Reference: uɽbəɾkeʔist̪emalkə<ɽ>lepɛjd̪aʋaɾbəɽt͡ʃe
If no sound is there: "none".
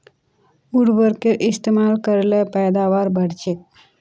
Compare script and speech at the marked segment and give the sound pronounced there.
ɾ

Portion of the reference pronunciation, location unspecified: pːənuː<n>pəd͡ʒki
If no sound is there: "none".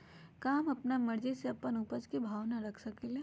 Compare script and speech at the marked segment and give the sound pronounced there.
none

